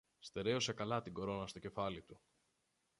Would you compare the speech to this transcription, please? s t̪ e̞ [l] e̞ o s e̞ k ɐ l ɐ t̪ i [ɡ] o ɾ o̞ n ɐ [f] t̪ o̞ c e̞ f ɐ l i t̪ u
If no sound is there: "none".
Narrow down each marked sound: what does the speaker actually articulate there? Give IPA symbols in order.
ɾ, ɡ, s

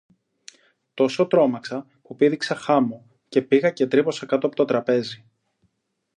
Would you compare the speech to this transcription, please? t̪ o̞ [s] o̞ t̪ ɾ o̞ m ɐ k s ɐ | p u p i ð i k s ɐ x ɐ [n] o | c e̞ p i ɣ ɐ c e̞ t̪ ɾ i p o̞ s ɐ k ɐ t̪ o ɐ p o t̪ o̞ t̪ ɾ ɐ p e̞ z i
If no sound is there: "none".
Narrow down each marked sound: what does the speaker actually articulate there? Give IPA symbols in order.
s, m

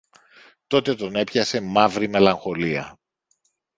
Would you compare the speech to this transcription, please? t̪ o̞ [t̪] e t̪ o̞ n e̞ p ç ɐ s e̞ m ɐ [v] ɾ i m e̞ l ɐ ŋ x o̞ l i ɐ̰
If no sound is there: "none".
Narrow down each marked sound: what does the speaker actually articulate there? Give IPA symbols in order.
t̪, v

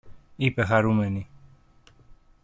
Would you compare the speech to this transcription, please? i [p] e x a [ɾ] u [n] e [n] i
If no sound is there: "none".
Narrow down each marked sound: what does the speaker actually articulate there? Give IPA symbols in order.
p, ɾ, m, n

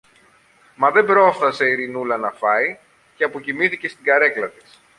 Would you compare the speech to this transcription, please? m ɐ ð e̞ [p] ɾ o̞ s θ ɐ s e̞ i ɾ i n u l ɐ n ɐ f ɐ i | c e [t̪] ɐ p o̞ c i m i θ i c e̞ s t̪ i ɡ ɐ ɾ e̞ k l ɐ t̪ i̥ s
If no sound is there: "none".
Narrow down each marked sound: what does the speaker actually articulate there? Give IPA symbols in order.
b, none

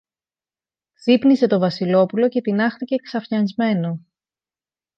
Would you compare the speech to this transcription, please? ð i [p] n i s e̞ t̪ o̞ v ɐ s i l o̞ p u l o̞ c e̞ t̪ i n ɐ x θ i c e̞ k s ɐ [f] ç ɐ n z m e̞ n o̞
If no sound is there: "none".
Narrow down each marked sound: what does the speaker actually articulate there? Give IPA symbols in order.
p, f

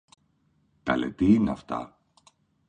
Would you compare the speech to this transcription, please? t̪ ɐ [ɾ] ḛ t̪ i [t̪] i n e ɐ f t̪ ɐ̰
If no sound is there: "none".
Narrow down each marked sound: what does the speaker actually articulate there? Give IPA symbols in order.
l, none

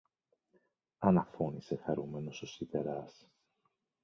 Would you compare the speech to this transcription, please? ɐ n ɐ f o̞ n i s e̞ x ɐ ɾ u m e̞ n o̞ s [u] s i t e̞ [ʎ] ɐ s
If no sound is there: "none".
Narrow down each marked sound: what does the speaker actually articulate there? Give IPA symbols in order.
o, ɾ

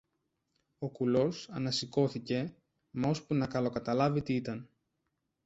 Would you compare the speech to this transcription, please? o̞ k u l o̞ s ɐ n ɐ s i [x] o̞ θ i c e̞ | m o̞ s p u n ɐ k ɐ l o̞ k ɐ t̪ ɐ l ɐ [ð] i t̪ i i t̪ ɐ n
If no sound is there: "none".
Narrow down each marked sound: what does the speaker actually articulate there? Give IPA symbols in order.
k, v

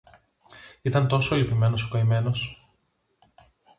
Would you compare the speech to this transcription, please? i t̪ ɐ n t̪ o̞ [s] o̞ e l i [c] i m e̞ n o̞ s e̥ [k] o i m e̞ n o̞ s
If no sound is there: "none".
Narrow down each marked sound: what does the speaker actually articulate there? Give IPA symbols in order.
s, p, k

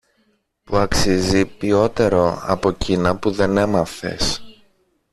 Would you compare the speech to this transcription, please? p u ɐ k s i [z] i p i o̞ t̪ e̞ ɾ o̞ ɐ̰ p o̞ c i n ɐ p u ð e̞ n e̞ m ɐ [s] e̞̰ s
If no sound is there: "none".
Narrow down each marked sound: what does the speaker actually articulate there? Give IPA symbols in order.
z, f

